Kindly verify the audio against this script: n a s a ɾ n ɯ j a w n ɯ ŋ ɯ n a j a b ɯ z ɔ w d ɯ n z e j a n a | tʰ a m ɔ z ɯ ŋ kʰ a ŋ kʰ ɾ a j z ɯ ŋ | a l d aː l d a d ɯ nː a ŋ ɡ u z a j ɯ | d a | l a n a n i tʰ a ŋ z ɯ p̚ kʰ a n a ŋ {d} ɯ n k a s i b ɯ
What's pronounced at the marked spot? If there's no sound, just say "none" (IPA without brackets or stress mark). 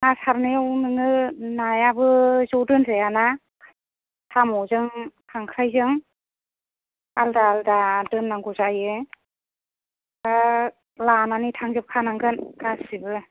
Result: ɡ